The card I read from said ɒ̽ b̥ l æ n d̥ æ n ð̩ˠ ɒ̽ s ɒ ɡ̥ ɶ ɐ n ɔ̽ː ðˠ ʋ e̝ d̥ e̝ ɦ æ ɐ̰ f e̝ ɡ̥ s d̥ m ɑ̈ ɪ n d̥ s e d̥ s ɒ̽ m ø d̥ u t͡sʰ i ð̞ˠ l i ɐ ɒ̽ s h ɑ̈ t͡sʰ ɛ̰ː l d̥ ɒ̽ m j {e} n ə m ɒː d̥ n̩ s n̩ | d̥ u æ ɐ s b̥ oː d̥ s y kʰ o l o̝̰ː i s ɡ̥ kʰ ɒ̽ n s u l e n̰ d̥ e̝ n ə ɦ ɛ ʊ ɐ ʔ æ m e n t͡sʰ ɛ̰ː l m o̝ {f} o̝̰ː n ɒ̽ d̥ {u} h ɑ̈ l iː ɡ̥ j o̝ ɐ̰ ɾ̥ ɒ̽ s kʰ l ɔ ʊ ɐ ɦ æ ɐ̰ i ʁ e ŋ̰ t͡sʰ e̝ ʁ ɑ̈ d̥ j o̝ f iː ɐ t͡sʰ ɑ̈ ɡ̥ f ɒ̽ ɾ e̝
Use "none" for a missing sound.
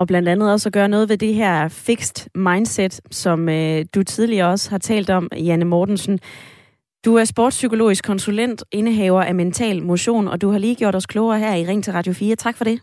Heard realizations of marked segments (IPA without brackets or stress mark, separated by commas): æ, ɕ, u